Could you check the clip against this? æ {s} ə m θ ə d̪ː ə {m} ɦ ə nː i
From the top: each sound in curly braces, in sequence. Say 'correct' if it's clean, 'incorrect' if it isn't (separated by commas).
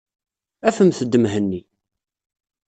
incorrect, correct